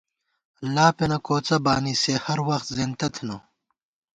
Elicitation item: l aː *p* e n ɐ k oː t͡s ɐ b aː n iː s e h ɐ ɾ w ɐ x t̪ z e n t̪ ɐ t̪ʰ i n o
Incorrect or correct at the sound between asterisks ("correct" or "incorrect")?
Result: correct